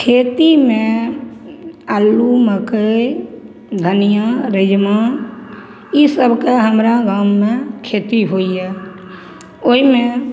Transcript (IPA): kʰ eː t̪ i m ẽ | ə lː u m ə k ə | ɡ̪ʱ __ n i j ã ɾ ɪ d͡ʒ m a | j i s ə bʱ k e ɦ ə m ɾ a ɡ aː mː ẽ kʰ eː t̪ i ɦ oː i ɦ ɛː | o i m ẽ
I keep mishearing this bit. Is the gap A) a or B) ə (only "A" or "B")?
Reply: B